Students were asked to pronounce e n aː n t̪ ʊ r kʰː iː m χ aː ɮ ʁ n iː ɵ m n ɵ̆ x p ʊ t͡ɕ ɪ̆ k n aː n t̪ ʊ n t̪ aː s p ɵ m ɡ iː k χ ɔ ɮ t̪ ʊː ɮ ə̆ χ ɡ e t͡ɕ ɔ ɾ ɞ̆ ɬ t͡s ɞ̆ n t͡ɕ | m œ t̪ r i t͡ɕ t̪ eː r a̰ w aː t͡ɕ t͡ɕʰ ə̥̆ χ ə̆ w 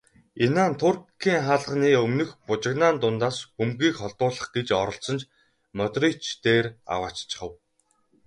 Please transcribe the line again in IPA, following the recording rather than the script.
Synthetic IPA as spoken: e n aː n t̪ʰ ʊ r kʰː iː ŋ χ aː ɮ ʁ n iː ɵ m n ɵ̆ x p ʊ t͡ɕ ɪ̆ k n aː n t̪ ʊ n t̪ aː s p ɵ m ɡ iː k χ ɔ ɮ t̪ ʊː ɮ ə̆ χ ɡ e t͡ɕ ɔ ɾ ɞ̆ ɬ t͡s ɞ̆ n t͡ɕ | m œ t̪ r i t͡ɕ t̪ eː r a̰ w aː t͡ɕ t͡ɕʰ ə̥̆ χ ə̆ w

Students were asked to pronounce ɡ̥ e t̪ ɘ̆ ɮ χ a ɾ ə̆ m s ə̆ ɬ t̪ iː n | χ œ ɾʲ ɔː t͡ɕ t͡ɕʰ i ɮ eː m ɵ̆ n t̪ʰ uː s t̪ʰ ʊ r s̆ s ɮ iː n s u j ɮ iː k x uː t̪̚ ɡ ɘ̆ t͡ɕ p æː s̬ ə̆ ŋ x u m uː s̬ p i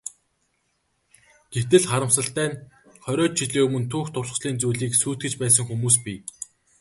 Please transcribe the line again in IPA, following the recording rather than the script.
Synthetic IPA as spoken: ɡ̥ e t̪ ɘ̆ ɮ χ a ɾ ə̆ m s ə̆ ɬ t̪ æː n | χ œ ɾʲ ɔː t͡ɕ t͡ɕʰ i ɮ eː m ɵ̆ n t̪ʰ uː x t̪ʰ ʊ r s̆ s ɮ iː n t͡s u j ɮ iː k s uː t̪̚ ɡ ɘ̆ t͡ɕ p æː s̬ ə̆ ŋ x u m uː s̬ p i

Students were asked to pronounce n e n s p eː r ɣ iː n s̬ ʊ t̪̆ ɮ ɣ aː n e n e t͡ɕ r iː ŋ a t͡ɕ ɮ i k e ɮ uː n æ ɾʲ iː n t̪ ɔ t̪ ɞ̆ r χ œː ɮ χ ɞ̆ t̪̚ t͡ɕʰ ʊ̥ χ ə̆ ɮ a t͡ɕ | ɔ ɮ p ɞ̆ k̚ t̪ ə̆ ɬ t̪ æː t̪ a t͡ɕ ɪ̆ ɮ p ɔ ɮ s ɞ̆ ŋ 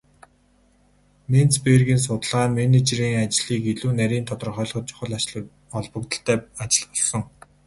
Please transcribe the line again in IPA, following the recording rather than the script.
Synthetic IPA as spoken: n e n t͡s p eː r ɣ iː n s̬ ʊ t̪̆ ɮ ʁ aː m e n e t͡ɕ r iː ŋ a t͡ɕ ɮ iː k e ɮ uː n æ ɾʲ iː n t̪ʰ ɔ t̪ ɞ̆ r χ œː ɮ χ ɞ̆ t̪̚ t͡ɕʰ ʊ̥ χ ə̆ ɮ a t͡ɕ | ɔ ɮ p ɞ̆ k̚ t̪ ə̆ ɬ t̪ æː a t͡ɕ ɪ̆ ɮ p ɔ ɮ s ɞ̆ ŋ

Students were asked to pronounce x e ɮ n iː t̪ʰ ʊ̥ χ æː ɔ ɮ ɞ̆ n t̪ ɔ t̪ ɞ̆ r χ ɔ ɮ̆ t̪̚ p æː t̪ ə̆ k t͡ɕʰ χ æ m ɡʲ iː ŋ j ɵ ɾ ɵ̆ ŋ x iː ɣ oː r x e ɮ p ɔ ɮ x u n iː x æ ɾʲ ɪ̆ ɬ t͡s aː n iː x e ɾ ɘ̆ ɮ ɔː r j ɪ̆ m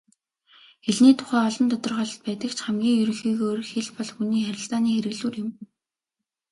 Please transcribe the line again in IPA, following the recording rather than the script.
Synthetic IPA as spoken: x e ɮ n iː t̪ʰ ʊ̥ χ æː ɔ ɮ ɞ̆ n t̪ ɔ t̪ ɞ̆ r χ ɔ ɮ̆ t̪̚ p æː t̪ ə̆ k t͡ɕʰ χ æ m ɡʲ iː ŋ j ɵ ɾ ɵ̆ ŋ x iː ɣ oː r x e ɮ p ɔ ɮ x u n iː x æ ɾʲ ɪ̆ ɬ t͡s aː n iː x e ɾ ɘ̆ ɮ uː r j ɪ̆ m

